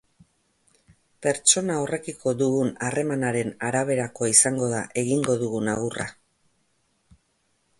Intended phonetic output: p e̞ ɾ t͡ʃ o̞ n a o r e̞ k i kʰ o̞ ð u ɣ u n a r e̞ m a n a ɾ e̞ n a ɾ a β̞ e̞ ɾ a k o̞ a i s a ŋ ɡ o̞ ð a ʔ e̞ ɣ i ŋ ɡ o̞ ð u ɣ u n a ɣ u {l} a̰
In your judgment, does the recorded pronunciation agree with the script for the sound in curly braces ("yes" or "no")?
no